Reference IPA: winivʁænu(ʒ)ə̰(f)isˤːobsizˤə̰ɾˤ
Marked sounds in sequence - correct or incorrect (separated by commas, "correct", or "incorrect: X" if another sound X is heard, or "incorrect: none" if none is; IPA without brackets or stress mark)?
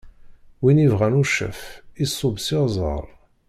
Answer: incorrect: ʃ, correct